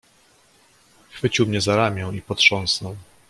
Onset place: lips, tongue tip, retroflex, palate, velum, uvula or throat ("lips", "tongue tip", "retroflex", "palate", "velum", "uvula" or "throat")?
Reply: velum